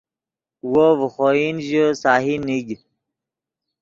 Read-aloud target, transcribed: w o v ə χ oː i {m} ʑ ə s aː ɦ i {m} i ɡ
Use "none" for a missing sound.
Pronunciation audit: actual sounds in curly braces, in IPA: n, n

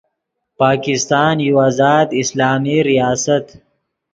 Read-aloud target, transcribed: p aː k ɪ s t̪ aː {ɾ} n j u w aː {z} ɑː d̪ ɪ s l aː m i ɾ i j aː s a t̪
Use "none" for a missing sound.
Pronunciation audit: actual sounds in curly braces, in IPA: none, z

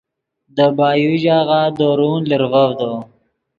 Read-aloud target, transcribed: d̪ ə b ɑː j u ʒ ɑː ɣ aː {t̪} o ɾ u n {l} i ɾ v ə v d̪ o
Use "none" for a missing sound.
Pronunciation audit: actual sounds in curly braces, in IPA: d̪, l

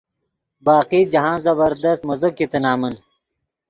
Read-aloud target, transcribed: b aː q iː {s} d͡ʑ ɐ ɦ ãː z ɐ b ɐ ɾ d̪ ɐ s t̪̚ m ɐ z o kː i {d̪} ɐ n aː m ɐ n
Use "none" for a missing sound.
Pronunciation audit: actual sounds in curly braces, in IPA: none, t̪

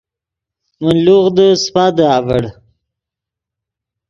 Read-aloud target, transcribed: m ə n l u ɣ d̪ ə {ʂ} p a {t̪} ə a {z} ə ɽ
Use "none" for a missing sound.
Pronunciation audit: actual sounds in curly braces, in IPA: s, d̪, v

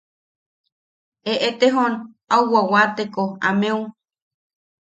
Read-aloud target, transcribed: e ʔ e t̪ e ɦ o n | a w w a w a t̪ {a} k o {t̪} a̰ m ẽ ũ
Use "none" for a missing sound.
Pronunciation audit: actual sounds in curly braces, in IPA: e, none

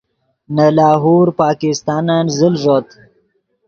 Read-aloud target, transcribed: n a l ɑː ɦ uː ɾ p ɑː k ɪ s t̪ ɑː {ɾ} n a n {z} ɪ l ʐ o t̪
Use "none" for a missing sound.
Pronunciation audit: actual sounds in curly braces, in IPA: none, z

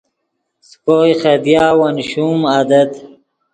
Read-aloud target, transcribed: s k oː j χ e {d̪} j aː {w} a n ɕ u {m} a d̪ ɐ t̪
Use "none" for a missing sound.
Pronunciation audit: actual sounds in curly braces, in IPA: d̪, w, m

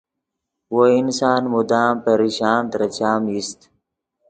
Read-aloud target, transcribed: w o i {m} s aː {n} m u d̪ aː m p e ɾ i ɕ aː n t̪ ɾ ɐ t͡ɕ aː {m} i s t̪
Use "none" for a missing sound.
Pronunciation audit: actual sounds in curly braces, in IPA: n, n, m

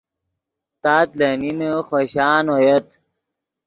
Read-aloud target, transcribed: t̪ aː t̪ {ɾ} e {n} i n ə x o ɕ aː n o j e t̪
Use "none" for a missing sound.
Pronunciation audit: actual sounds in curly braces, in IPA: l, n

